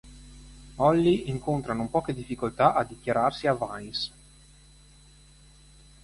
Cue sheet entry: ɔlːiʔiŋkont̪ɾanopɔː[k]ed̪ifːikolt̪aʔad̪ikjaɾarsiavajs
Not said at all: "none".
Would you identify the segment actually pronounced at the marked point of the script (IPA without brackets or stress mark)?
k